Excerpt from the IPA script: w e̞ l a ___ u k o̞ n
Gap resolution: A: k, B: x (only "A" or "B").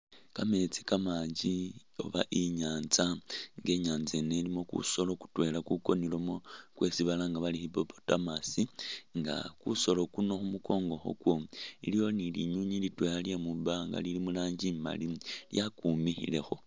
A